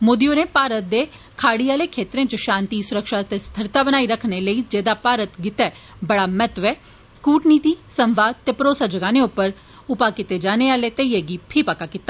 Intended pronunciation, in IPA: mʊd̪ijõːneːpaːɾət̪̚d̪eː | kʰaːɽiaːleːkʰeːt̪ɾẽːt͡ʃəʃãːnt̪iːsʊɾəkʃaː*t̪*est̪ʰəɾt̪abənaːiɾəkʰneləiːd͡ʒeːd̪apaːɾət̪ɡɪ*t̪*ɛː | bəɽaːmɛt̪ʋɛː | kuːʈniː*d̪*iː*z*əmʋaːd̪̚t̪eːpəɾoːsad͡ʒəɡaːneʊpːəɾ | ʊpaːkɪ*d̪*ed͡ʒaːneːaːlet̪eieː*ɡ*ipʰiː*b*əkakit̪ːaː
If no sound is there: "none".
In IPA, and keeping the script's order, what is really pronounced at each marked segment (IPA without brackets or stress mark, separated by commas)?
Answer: t̪, t̪, t̪, s, t̪, ɡ, p